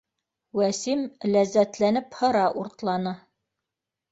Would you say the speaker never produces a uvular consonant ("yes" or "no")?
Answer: yes